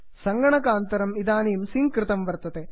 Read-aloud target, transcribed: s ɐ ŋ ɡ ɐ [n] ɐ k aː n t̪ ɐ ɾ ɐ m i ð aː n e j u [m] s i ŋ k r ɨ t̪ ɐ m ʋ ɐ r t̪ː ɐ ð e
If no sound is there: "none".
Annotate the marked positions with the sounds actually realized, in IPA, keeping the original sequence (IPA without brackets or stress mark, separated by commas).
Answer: ɳ, m